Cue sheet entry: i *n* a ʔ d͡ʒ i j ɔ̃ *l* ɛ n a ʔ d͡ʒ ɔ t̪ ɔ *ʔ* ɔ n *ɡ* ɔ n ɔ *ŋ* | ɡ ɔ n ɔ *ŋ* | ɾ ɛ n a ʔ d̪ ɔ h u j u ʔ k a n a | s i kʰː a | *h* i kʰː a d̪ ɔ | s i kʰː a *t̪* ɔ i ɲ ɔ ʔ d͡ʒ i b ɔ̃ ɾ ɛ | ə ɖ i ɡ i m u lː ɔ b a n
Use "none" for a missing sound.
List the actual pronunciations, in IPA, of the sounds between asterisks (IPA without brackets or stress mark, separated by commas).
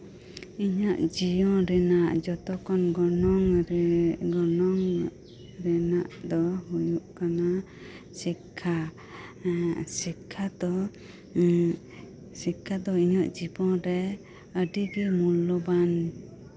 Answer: ɲ, ɾ, k, ɡ, ŋ, ŋ, s, d̪